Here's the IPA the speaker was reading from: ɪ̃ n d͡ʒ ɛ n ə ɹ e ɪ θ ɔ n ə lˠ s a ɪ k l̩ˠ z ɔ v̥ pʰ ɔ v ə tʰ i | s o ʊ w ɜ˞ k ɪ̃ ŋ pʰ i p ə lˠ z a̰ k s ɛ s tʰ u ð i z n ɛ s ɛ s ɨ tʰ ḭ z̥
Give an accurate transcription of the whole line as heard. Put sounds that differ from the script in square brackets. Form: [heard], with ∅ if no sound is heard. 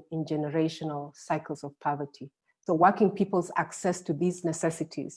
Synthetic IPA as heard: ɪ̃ n d͡ʒ ɛ n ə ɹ e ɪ [ʃ] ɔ n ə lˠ s a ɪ k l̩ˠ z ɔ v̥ pʰ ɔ v ə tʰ i | s o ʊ w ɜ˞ k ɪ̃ ŋ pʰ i p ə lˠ z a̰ k s ɛ s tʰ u ð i z n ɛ s ɛ s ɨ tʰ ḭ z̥